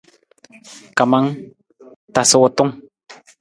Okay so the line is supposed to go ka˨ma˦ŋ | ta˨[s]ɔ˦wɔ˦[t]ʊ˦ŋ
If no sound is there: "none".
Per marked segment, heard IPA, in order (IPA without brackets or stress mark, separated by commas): s, t